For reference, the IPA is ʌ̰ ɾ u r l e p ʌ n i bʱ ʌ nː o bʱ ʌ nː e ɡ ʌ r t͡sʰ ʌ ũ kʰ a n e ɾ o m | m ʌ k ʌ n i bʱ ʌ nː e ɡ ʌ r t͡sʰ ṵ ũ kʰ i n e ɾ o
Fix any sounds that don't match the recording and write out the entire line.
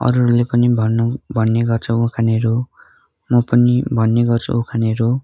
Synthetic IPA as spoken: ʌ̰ ɾ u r l e p ʌ n i bʱ ʌ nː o bʱ ʌ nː e ɡ ʌ r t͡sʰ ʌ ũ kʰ a n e ɾ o | m ʌ p ʌ n i bʱ ʌ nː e ɡ ʌ r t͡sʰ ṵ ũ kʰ a n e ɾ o